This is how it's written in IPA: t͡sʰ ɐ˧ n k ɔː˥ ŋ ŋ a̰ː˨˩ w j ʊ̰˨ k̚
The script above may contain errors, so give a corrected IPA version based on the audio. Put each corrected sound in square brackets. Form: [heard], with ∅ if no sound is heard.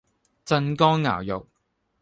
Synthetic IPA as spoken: [t͡s] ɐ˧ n k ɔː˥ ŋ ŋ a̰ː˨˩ w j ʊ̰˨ k̚